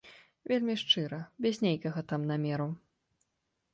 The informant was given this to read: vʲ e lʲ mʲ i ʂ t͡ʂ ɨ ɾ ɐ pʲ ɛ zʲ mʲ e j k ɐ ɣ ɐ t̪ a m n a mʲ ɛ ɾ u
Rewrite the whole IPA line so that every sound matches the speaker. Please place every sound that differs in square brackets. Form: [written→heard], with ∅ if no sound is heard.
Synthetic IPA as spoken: vʲ e lʲ mʲ i ʂ t͡ʂ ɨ ɾ ɐ [pʲ→bʲ] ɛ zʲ [mʲ→nʲ] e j k ɐ ɣ ɐ t̪ a m n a mʲ ɛ ɾ u